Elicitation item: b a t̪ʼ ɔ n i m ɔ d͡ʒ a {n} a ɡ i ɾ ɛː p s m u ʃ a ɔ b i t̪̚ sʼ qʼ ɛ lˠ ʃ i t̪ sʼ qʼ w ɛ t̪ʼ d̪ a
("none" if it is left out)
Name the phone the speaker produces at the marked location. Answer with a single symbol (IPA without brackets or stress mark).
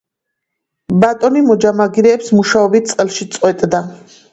m